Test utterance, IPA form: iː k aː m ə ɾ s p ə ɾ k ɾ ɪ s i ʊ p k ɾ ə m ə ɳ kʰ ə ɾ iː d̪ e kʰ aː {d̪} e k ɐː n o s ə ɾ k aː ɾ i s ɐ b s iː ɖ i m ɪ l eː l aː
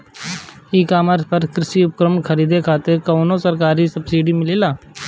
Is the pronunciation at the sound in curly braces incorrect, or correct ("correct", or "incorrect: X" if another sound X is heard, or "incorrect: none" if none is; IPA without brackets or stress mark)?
incorrect: t̪